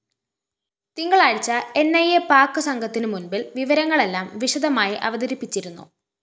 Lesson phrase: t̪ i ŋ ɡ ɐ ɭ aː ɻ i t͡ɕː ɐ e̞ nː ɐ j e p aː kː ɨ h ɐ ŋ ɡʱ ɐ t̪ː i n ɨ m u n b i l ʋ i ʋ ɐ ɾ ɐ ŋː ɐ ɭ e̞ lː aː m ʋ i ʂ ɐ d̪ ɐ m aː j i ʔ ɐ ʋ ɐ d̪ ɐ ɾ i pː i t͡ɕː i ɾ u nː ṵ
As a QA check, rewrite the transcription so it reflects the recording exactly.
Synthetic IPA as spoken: t̪ i ŋ ɡ ɐ ɭ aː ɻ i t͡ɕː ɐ e̞ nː ɐ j e p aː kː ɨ s ɐ ŋ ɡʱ ɐ t̪ː i n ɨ m u n b i l ʋ i ʋ ɐ ɾ ɐ ŋː ɐ ɭ e̞ lː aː m ʋ i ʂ ɐ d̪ ɐ m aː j i ʔ ɐ ʋ ɐ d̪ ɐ ɾ i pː i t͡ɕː i ɾ u nː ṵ